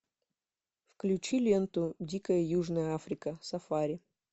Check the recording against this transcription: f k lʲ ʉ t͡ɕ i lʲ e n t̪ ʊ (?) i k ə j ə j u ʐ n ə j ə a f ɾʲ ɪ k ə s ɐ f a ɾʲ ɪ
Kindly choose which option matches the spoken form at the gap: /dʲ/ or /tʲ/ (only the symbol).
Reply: dʲ